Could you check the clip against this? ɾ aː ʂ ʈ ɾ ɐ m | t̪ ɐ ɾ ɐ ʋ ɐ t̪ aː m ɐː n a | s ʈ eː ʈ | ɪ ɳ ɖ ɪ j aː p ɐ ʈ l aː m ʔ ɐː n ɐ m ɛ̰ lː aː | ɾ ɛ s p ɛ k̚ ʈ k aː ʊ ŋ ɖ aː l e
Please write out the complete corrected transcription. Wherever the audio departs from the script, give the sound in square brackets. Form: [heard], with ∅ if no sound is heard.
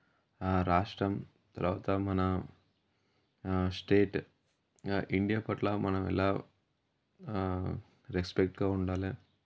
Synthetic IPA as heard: ɾ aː ʂ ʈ ɾ ɐ m | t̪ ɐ ɾ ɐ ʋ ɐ t̪ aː m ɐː n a | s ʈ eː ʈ | ɪ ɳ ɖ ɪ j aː p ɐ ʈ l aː m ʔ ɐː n ɐ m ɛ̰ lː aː | ɾ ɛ s p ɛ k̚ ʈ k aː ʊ [ɳ] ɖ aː l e